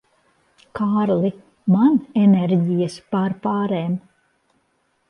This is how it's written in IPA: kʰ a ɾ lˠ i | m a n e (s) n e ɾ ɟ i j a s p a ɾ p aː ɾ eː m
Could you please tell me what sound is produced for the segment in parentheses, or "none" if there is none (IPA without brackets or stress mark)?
none